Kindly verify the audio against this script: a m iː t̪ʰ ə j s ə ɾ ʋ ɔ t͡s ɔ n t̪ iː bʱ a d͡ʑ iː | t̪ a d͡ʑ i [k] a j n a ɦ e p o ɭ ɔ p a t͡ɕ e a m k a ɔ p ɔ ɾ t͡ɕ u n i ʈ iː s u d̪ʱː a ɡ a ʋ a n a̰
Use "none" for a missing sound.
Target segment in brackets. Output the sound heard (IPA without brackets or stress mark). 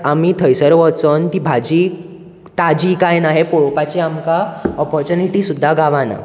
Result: k